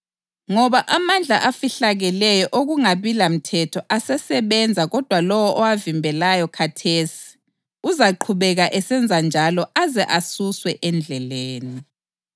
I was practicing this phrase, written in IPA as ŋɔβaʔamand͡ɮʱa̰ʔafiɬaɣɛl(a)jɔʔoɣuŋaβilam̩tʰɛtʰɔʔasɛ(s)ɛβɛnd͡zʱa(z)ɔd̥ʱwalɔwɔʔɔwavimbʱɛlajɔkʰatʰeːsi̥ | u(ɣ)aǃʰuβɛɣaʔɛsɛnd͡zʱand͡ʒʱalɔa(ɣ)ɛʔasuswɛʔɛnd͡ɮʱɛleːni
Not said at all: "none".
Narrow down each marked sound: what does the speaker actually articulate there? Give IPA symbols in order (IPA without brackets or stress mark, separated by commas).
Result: ɛ, s, ɣ, z, z